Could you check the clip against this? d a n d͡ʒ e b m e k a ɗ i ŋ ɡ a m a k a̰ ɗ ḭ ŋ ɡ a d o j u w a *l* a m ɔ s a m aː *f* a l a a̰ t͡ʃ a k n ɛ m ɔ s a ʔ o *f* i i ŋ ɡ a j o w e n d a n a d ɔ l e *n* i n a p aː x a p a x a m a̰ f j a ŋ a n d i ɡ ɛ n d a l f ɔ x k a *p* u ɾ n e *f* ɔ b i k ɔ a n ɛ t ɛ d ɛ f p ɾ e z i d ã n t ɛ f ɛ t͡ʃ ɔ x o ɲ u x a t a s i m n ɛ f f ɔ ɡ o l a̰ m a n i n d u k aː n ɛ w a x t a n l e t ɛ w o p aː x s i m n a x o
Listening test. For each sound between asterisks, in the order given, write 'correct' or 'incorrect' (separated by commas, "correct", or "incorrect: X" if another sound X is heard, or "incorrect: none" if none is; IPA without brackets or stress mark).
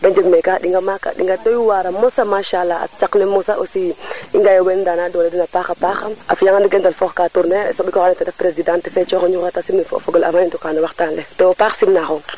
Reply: incorrect: ɾ, incorrect: ʃ, incorrect: s, incorrect: d, incorrect: t, incorrect: s